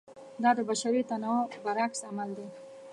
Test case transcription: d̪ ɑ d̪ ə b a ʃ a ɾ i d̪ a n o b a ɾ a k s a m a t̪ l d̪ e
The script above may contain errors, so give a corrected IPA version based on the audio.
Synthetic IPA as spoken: d̪ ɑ d̪ ə b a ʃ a ɾ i t̪ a n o b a ɾ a k s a m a l d̪ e